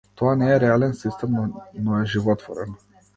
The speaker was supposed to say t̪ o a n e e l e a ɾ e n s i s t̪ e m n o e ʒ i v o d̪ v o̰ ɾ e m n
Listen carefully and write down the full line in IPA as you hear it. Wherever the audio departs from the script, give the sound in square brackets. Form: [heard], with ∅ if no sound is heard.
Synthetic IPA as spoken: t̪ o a n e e [ɾ] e a [l] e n s i s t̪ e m n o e ʒ i v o [t̪] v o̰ ɾ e [∅] n